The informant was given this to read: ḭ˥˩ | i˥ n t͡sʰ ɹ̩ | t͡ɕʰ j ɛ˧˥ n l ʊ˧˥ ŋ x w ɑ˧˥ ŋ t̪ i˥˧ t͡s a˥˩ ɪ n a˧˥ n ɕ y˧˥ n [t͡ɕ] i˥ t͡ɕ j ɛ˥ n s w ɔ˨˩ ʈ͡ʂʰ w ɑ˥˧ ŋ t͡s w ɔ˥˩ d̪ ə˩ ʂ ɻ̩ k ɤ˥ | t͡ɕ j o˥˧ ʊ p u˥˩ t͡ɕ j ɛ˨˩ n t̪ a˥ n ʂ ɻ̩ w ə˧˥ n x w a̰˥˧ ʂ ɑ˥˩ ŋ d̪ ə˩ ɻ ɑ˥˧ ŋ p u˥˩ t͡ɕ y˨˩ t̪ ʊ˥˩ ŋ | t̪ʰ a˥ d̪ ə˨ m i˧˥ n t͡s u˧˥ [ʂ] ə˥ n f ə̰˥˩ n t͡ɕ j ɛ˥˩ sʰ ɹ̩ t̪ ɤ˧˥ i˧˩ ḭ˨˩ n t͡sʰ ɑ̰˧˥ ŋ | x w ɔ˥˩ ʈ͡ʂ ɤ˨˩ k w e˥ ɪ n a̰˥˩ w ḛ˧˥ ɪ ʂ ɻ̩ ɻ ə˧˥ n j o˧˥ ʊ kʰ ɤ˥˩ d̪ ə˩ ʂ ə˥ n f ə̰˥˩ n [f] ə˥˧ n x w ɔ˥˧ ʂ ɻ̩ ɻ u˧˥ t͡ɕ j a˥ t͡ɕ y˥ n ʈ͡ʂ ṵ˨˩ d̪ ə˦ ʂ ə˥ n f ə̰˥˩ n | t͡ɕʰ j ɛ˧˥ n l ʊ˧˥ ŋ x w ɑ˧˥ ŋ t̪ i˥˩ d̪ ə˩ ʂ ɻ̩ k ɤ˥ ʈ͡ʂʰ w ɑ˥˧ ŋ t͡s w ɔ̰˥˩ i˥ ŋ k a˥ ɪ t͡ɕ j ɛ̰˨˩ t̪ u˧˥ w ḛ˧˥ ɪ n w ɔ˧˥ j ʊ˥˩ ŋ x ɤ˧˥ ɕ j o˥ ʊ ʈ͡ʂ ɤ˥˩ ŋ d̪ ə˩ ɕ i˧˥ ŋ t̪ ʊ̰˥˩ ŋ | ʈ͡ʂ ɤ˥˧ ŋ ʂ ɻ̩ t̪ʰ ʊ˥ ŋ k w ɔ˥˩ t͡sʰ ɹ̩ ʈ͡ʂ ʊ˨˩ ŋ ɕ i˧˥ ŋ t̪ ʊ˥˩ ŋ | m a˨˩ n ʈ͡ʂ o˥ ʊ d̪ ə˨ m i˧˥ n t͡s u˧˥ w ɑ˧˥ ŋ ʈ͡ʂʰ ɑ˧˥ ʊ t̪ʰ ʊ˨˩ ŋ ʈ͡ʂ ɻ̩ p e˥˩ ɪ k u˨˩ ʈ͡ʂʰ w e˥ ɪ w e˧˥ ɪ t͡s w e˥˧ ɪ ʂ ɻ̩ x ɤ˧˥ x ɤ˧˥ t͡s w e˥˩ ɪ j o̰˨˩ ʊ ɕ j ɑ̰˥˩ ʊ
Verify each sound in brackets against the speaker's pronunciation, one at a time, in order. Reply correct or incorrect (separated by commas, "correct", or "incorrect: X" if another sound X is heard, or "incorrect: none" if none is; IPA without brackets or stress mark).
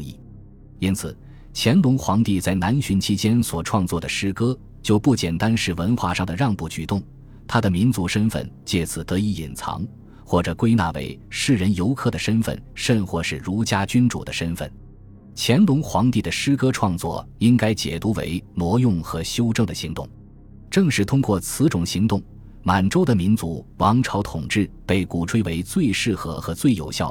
incorrect: t͡ɕʰ, correct, incorrect: ʂ